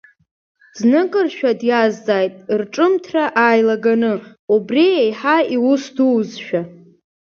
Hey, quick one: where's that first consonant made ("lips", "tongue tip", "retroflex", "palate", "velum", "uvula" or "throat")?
tongue tip